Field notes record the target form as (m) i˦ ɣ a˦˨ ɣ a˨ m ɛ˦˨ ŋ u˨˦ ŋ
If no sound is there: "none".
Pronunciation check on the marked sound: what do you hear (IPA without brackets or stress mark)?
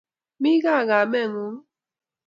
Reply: m